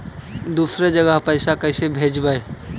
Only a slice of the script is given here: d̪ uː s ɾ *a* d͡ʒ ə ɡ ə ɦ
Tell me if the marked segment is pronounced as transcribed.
no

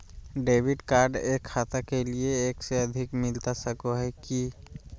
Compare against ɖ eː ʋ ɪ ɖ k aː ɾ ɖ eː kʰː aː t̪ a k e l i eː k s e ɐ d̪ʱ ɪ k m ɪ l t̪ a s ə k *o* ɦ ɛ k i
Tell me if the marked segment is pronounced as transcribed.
yes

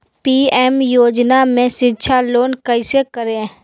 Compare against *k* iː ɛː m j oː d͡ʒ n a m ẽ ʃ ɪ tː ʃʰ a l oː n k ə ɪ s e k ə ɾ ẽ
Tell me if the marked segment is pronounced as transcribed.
no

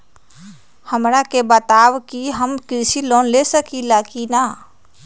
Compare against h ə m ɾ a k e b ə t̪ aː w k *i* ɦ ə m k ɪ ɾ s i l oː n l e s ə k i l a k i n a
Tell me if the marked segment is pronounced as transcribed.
yes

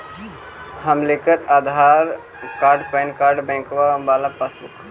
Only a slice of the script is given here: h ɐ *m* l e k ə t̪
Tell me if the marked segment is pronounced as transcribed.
yes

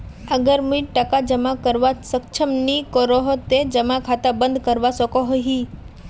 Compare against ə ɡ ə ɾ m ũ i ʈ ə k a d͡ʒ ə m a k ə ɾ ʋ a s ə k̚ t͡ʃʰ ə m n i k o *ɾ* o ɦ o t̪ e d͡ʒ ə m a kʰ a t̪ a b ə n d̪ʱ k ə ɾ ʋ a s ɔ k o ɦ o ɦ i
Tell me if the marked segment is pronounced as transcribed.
yes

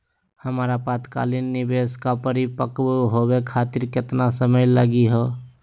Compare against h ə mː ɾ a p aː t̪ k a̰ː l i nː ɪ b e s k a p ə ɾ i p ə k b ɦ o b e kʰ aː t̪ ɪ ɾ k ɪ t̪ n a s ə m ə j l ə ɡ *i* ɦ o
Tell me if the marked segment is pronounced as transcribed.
yes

